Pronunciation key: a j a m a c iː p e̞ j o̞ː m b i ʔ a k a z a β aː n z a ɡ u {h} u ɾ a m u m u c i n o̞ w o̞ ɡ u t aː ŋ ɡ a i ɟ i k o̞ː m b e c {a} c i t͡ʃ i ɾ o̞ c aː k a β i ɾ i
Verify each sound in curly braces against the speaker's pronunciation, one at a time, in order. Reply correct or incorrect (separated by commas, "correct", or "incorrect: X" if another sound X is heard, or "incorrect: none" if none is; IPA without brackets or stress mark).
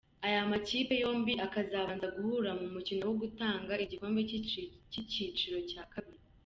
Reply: correct, incorrect: i